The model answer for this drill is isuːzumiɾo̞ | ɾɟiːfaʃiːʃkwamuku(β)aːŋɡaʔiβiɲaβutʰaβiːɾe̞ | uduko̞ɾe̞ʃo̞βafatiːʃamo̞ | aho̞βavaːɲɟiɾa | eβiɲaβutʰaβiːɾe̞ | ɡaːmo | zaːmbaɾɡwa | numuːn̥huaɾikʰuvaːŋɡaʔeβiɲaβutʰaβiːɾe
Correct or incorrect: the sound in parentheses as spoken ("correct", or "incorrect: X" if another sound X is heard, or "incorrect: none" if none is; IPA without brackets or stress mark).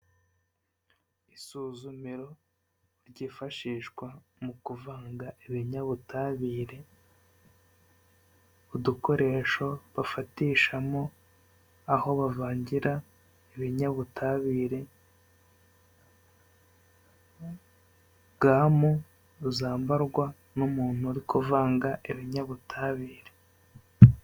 incorrect: v